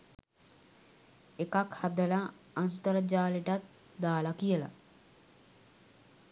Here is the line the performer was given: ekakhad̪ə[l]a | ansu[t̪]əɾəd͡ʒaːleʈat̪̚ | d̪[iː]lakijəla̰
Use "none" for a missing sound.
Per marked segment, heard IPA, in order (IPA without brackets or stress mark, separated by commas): l, t̪, aː